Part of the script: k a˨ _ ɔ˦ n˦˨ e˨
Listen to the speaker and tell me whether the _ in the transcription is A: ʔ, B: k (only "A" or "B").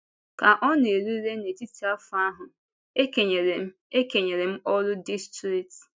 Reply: A